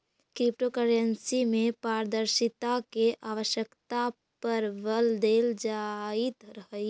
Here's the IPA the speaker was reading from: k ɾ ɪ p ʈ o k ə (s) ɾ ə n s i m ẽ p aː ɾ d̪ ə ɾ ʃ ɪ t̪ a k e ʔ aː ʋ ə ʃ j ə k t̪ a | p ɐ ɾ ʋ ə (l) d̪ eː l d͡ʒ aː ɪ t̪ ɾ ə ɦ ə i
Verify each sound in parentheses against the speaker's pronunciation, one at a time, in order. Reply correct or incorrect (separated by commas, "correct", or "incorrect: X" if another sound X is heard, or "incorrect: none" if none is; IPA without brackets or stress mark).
incorrect: none, correct